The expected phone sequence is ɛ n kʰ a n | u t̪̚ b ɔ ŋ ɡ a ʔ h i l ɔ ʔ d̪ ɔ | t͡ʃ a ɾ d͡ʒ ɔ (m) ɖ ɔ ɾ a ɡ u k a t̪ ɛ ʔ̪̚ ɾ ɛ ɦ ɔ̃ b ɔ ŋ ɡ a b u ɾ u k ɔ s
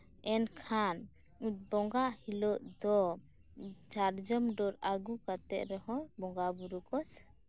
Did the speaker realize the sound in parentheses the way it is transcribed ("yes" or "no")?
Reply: yes